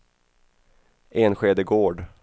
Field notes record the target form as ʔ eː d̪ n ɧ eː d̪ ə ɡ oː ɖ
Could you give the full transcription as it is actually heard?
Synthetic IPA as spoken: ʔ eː n ɧ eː d̪ ə ɡ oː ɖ

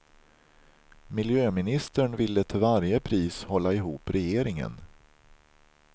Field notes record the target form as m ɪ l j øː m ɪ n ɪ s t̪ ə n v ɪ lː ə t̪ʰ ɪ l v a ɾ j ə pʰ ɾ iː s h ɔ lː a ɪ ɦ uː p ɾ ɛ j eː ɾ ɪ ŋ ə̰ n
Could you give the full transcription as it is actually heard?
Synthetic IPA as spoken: m ɪ l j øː m ɪ n ɪ s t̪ ə ɳ v ɪ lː ə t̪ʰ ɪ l v a ɾ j ə pʰ ɾ iː s h ɔ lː a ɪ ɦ uː p ɾ ɛ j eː ɾ ɪ ŋ ə̰ n

